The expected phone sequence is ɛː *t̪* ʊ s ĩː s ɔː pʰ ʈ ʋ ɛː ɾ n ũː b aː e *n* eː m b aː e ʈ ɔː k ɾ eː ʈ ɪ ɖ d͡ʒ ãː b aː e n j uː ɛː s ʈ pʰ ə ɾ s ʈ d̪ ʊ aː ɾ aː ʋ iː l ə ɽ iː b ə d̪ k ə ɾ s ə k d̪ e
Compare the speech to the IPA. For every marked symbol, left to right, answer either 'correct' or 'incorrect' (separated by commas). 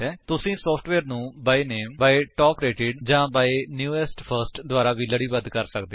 correct, correct